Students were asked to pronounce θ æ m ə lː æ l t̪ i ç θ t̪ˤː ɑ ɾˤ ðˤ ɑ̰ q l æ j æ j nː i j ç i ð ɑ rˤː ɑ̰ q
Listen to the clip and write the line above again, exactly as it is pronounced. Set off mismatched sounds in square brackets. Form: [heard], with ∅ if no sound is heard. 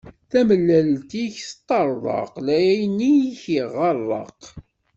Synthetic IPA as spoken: θ æ m ə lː æ l t̪ i ç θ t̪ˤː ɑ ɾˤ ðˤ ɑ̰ q l æ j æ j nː i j ç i [ʁ] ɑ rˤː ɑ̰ q